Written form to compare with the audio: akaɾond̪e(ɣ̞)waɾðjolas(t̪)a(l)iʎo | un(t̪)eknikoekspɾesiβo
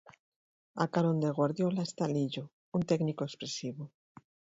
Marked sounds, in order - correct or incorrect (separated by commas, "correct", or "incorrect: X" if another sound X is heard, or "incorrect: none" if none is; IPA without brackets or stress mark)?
correct, correct, correct, correct